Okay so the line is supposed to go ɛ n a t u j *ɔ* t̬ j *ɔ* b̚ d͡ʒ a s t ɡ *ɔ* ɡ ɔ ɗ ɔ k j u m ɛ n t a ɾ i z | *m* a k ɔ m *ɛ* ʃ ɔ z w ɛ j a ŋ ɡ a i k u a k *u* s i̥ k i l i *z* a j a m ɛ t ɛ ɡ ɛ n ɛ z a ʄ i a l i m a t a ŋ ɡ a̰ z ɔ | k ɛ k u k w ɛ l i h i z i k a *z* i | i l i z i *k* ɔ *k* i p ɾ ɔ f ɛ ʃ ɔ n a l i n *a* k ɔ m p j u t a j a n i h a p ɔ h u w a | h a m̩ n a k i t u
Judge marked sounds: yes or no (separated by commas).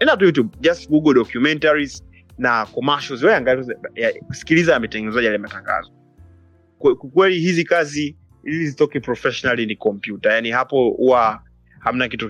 no, no, no, no, no, yes, yes, yes, no, yes, no